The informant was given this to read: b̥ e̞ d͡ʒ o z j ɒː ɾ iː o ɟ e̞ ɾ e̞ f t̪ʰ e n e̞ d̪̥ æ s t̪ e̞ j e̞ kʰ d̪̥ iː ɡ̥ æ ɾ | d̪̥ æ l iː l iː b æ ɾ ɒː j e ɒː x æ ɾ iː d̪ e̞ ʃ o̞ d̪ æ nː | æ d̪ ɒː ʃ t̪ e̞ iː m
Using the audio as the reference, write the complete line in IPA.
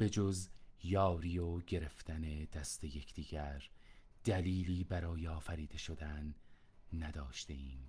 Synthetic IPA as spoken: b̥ e̞ d͡ʒ o z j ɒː ɾ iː o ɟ e̞ ɾ e̞ f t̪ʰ æ n e̞ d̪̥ æ s t̪ e̞ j e̞ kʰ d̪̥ iː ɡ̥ æ ɾ | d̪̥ æ l iː l iː b æ ɾ ɒː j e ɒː f æ ɾ iː d̪ e̞ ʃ o̞ d̪ æ nː | æ d̪ ɒː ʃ t̪ e̞ iː m